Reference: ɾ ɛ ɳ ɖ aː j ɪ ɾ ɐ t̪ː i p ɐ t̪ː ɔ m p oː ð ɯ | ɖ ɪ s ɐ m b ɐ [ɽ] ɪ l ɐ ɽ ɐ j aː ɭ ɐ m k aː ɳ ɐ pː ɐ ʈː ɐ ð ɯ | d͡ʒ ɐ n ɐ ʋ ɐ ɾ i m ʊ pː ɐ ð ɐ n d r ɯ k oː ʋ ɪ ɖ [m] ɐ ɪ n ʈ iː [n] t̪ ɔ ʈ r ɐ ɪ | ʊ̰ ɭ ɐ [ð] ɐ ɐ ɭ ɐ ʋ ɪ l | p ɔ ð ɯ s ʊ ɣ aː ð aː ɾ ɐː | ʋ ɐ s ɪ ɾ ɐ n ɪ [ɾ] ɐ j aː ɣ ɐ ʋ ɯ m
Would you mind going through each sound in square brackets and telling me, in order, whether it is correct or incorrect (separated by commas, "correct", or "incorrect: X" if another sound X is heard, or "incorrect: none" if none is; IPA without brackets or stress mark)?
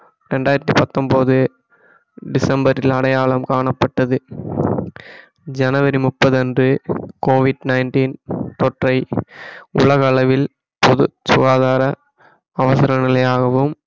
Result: incorrect: ɾ, incorrect: n, correct, incorrect: ɣ, incorrect: l